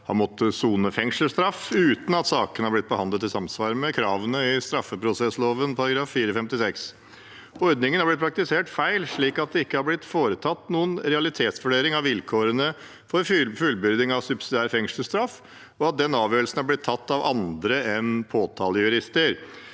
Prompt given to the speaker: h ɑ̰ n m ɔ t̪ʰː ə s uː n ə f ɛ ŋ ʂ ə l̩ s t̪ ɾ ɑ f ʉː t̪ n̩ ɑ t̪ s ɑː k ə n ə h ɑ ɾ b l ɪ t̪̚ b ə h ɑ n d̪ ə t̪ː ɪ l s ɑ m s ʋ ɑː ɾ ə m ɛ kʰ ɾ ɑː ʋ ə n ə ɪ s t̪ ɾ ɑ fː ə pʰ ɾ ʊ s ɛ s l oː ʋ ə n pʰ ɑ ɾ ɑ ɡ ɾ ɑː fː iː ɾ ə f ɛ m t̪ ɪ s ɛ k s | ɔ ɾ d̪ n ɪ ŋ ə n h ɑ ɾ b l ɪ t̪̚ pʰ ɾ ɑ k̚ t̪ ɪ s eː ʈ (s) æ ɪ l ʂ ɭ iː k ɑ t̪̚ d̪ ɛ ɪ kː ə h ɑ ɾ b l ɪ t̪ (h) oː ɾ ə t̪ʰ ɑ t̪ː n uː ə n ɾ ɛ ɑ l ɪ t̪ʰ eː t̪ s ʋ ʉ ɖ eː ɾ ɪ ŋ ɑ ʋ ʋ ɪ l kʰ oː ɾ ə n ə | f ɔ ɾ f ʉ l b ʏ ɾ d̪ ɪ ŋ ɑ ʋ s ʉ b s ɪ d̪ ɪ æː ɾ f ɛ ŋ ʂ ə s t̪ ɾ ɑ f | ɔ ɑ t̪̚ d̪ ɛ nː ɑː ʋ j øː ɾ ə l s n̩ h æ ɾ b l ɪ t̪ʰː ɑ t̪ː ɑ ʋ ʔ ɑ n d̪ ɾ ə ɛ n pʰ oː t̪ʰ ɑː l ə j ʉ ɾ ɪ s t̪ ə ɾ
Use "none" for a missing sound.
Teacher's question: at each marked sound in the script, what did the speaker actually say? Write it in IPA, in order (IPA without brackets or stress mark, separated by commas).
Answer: f, f